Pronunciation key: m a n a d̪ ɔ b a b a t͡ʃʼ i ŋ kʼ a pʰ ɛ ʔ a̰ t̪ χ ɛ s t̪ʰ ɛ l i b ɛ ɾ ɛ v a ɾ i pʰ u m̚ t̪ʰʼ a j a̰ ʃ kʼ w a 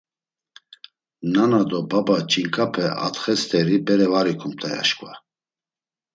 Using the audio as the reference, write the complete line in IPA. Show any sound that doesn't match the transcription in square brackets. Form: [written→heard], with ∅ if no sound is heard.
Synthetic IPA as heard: [m→n] a n a d̪ ɔ b a b a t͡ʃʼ i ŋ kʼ a pʰ ɛ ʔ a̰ t̪ χ ɛ s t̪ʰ ɛ [l→ɾ] i b ɛ ɾ ɛ v a ɾ i [pʰ→kʰ] u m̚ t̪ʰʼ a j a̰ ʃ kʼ [w→v] a